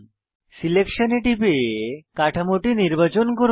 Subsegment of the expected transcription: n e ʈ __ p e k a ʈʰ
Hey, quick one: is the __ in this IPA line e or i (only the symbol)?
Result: i